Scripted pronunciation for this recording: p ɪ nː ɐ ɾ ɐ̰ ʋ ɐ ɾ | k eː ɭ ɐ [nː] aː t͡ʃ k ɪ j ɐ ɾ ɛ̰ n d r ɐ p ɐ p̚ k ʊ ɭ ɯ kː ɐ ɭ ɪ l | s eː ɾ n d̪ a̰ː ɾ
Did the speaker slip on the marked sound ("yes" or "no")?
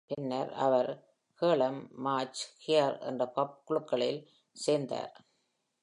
yes